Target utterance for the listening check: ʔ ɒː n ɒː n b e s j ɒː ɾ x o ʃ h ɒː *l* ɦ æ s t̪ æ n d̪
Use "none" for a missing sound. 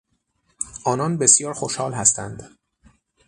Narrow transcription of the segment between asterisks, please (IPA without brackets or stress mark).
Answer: l